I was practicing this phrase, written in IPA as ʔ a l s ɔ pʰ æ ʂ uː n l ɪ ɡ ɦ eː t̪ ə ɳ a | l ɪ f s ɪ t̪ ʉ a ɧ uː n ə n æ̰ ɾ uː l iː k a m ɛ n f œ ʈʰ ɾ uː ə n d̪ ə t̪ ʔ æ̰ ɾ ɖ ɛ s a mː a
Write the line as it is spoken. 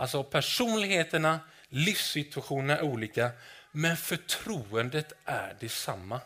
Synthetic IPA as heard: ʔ a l s ɔ pʰ æ ʂ uː n l ɪ ɡ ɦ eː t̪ ə ɳ a | l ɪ f s ɪ t̪ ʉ a ɧ uː n ə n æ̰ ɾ uː l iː k a m ɛ n f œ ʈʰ ɾ uː ə n d̪ ə t̪ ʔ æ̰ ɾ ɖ ɛ s a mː a